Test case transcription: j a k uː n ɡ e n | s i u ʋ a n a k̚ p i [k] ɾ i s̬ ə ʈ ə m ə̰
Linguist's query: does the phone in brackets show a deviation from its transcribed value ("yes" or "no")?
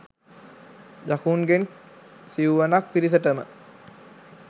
yes